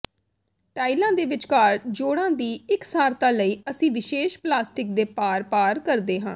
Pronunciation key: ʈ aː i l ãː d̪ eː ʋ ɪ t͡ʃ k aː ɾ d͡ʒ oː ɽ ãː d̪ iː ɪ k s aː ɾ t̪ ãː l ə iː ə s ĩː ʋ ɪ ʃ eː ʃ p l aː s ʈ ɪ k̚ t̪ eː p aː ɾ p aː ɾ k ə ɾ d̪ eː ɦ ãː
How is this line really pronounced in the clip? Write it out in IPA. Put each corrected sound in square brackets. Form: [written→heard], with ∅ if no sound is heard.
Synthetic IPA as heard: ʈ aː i l ãː d̪ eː ʋ ɪ t͡ʃ k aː ɾ d͡ʒ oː ɽ ãː d̪ iː ɪ k s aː ɾ t̪ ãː l ə iː ə s ĩː ʋ ɪ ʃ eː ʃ p l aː s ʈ ɪ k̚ [t̪→d̪] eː p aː ɾ p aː ɾ k ə ɾ d̪ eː ɦ ãː